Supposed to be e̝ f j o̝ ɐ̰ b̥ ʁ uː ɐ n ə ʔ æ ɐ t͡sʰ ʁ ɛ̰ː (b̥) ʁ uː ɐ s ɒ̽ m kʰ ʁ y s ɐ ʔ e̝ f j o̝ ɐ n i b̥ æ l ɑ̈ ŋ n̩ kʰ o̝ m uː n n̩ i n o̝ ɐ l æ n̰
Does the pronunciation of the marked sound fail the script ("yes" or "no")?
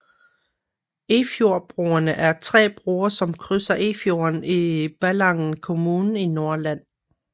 no